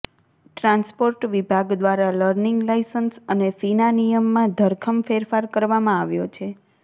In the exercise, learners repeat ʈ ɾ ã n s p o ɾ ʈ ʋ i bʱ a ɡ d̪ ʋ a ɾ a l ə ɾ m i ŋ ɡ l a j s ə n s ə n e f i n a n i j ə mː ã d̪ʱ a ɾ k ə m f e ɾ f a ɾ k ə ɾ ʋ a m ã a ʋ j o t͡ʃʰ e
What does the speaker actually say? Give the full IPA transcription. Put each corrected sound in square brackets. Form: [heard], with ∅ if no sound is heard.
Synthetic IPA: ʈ ɾ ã n s p o ɾ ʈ ʋ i bʱ a ɡ d̪ ʋ a ɾ a l ə ɾ [n] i ŋ ɡ l a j s ə n s ə n e f i n a n i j ə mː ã d̪ʱ [ə] ɾ [kʰ] ə m f e ɾ f a ɾ k ə ɾ ʋ a m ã a ʋ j o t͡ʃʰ e

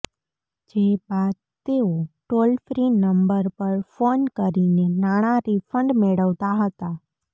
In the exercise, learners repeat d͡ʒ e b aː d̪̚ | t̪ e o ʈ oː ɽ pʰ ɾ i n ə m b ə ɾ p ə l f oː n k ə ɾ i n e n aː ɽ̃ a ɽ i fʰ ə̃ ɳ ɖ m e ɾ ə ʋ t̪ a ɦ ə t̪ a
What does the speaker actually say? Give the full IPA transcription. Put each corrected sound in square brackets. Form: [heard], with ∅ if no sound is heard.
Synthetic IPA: d͡ʒ e b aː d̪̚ | t̪ e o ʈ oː [l] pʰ ɾ i n ə m b ə ɾ p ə [ɾ] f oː n k ə ɾ i n e n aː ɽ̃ a [ɾ] i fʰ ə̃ ɳ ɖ m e [ɽ] ə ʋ t̪ a ɦ ə t̪ a

